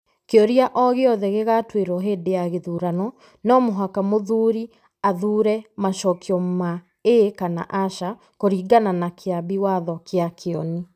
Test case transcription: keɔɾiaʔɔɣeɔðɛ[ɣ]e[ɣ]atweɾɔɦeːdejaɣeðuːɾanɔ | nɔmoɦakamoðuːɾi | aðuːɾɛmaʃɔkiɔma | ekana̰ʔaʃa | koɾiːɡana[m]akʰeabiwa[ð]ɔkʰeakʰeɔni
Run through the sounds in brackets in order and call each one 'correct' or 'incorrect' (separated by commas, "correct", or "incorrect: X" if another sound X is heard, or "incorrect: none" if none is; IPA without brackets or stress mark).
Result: correct, correct, incorrect: n, correct